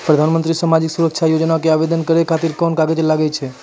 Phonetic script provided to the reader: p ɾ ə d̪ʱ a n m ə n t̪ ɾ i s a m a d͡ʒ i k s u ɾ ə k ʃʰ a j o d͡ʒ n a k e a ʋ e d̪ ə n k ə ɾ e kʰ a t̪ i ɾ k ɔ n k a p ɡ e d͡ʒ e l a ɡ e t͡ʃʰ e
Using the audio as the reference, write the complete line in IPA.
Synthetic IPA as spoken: p ɾ ə d̪ʱ a n m ə n t̪ ɾ i s a m a d͡ʒ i k s u ɾ ə k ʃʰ a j o d͡ʒ n a k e a ʋ e d̪ ə n k ə ɾ e kʰ a t̪ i ɾ k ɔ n k a ɡ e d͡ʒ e l a ɡ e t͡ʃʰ e